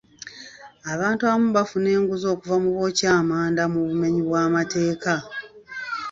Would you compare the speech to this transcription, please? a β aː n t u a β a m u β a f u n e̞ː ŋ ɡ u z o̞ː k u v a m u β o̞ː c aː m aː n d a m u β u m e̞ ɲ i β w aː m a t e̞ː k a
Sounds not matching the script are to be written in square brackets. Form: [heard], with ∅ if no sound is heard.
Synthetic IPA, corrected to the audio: a β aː n t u a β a m u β a f u n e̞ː ŋ ɡ u z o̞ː k u v a m u β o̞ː c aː m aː n d a m u β u m e̞ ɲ i β w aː m a t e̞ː k a